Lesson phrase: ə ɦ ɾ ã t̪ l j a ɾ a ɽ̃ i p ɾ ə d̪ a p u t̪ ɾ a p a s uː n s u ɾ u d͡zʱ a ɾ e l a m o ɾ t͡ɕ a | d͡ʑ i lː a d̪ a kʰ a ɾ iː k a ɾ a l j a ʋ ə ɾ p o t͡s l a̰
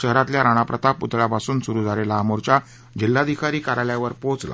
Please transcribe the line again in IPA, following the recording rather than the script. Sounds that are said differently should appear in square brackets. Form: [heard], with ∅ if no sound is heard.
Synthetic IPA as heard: ə ɦ ɾ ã t̪ l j a ɾ a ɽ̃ [a] p ɾ ə [t̪] a p u t̪ [ɭ] a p a s uː n s u ɾ u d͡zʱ a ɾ e l a m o ɾ t͡ɕ a | d͡ʑ i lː a d̪ [i] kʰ a ɾ iː k a ɾ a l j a ʋ ə ɾ p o t͡s l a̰